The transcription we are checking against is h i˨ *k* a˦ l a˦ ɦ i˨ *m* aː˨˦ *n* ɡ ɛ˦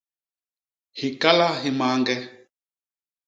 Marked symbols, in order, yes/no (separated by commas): yes, yes, no